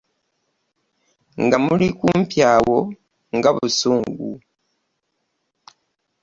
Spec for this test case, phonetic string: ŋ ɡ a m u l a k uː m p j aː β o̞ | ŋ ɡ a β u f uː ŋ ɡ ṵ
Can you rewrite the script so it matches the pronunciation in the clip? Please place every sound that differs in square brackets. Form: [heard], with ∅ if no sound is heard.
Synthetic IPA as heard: ŋ ɡ a m u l [i] k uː m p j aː [w] o̞ | ŋ ɡ a β u [s] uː ŋ ɡ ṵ